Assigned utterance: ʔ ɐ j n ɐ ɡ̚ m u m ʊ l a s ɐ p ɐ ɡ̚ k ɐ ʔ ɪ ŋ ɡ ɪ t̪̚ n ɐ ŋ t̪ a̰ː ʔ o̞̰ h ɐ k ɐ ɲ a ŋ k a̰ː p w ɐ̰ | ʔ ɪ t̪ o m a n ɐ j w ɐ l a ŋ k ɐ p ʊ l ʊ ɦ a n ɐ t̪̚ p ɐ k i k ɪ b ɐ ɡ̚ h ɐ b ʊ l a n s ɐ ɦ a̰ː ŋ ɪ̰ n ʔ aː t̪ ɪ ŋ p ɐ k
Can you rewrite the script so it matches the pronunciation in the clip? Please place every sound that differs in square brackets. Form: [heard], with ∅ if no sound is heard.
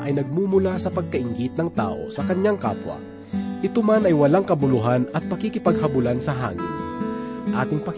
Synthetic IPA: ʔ ɐ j n ɐ ɡ̚ m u m ʊ l a s ɐ p ɐ ɡ̚ k ɐ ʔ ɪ ŋ ɡ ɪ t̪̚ n ɐ ŋ t̪ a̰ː ʔ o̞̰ [s] ɐ k ɐ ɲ a ŋ k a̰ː p w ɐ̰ | ʔ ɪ t̪ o m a n ɐ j w ɐ l a ŋ k ɐ [b] ʊ l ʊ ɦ a n ɐ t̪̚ p ɐ k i k ɪ [p] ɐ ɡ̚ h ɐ b ʊ l a n s ɐ ɦ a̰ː ŋ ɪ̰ n ʔ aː t̪ ɪ ŋ p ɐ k